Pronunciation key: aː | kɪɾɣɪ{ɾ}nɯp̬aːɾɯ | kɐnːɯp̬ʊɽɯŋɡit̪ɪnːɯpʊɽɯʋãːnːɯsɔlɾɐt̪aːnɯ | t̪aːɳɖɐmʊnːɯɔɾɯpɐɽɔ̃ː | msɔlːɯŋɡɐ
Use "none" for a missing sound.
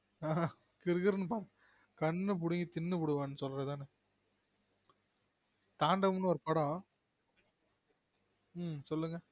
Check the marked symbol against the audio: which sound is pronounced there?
ɾ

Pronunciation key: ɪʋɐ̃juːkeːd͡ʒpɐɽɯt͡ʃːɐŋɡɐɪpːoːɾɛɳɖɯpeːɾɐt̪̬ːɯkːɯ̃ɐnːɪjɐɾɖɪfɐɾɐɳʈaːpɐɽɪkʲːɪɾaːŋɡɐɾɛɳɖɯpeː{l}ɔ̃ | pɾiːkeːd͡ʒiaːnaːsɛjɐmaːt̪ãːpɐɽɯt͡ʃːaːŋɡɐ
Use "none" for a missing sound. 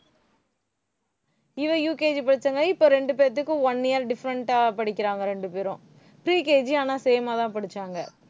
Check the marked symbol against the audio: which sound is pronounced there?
ɾ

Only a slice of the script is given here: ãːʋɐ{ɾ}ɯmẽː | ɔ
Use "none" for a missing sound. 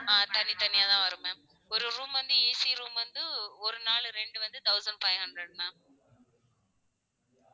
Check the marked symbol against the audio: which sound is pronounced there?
ɾ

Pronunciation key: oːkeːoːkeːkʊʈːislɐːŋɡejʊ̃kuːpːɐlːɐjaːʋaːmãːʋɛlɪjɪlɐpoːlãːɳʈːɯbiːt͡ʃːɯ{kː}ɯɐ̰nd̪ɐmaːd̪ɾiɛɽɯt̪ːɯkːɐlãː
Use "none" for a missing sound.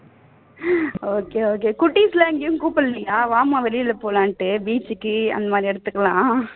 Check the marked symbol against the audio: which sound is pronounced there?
kː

